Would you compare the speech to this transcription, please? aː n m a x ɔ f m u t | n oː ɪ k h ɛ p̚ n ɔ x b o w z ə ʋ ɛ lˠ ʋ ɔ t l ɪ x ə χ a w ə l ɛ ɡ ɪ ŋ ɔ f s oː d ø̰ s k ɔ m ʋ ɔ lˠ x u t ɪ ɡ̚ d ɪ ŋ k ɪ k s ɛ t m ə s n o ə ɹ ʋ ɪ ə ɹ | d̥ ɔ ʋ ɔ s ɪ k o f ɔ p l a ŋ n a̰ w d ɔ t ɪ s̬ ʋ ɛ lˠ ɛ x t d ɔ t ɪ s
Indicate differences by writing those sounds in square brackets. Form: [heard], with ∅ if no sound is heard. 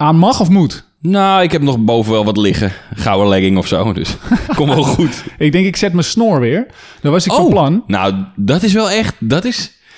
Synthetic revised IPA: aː n m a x ɔ f m u t | n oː ɪ k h ɛ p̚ n ɔ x b o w [v] ə ʋ ɛ lˠ ʋ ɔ t l ɪ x ə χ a w ə l ɛ ɡ ɪ ŋ ɔ f s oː d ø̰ s k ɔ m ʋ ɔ lˠ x u t ɪ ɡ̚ d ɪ ŋ k ɪ k s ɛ t m ə s n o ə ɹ ʋ ɪ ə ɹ | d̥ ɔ ʋ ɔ s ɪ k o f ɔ p l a [n] n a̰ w d ɔ t ɪ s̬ ʋ ɛ lˠ ɛ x t d ɔ t ɪ s